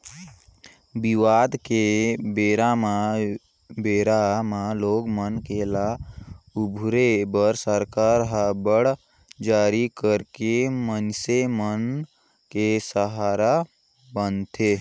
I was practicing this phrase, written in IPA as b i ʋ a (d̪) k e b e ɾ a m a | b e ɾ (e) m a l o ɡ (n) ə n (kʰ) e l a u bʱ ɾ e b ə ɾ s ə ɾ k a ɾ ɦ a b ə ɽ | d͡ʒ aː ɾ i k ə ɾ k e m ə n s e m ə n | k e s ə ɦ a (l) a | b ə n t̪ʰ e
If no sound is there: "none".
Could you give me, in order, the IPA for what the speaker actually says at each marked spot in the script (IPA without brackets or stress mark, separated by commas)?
d̪, a, m, k, ɾ